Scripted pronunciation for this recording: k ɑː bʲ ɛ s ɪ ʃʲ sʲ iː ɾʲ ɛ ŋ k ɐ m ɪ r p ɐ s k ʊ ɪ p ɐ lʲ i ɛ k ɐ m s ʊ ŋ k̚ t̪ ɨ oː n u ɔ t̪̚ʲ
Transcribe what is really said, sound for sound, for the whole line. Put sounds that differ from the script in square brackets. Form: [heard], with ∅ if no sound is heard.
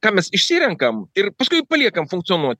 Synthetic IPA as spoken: k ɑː [mʲ] ɛ s ɪ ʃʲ sʲ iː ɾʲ ɛ ŋ k ɐ m ɪ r p ɐ s k ʊ ɪ p ɐ lʲ i ɛ k ɐ m [f] ʊ ŋ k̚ t̪ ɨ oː n u ɔ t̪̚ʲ